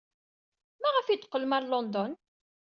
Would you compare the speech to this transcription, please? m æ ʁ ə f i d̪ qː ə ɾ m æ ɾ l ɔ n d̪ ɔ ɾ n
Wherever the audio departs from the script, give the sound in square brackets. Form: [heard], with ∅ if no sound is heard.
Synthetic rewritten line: m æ ʁ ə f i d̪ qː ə [l] m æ ɾ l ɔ n d̪ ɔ [∅] n